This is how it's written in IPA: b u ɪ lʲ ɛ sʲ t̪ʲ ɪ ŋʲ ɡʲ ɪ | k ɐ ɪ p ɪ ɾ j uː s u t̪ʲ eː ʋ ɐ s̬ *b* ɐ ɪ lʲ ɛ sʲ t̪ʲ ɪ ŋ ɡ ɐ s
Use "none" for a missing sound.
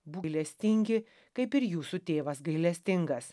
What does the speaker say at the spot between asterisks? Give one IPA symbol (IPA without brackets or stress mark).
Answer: ɡ